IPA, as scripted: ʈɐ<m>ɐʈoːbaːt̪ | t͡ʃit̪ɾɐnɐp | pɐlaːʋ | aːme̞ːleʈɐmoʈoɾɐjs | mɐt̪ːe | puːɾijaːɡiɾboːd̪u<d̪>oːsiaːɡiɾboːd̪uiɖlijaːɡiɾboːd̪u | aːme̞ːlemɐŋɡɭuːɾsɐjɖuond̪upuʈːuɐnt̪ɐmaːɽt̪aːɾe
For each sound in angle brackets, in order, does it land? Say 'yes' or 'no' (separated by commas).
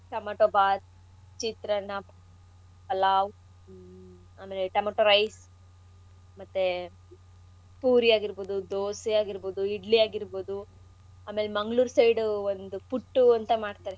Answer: yes, yes